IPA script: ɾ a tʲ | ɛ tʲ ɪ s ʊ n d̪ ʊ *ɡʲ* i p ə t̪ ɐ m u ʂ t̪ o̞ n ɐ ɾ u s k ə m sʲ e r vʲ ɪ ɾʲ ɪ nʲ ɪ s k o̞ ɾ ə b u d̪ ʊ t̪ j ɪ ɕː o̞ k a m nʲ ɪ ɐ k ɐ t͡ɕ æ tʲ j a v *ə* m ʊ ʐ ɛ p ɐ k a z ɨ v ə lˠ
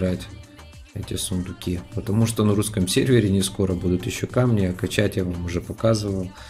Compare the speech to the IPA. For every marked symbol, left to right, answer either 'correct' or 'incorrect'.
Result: incorrect, incorrect

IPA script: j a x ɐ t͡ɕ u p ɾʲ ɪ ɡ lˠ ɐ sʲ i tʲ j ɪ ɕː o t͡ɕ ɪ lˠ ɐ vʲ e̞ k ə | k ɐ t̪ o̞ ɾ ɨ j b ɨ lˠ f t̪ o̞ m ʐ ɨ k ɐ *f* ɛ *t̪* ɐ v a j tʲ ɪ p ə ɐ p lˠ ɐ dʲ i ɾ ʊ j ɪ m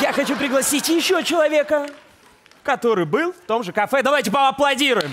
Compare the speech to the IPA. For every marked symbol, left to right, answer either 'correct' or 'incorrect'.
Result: correct, incorrect

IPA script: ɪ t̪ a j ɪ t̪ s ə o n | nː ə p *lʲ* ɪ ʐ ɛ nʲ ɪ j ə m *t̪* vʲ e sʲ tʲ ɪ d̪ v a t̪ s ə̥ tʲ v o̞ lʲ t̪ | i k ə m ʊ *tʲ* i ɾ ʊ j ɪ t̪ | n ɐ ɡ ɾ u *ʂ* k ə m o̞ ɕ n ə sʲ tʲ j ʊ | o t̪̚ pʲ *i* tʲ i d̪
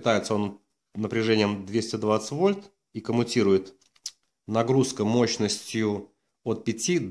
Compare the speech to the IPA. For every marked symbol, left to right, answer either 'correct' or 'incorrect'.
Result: incorrect, incorrect, correct, incorrect, incorrect

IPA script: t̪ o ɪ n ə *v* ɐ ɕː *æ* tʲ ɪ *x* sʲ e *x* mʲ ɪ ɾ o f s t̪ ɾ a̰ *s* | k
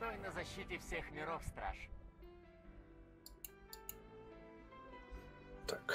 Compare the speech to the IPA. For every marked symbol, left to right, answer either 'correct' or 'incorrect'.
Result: incorrect, incorrect, incorrect, correct, incorrect

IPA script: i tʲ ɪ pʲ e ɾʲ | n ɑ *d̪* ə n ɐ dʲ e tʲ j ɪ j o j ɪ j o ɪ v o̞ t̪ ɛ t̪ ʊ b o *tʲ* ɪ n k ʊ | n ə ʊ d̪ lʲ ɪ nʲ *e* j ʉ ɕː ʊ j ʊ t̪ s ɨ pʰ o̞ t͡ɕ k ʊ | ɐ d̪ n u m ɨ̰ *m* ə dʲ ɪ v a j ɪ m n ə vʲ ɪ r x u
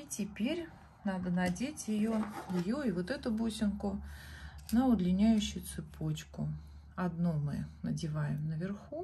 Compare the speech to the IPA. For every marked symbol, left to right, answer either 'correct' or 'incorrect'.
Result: correct, incorrect, incorrect, incorrect

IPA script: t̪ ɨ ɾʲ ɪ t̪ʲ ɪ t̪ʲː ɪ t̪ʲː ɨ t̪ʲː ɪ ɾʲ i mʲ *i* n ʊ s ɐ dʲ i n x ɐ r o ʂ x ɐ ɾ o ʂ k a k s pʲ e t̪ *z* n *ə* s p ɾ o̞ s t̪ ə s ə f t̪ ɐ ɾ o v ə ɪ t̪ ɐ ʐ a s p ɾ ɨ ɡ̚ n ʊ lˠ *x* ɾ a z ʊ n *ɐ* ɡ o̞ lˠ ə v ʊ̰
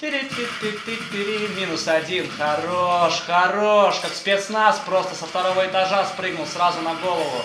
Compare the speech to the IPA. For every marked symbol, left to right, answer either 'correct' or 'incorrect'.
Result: correct, incorrect, incorrect, incorrect, correct

